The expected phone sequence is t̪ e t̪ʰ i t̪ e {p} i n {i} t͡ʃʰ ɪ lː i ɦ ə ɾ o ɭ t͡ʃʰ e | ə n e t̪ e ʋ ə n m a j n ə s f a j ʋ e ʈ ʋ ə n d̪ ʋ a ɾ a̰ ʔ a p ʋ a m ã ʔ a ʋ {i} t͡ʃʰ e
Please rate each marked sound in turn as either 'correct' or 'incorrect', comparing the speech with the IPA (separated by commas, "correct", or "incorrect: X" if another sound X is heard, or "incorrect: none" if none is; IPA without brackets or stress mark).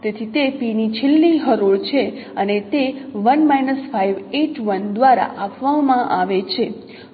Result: correct, correct, incorrect: e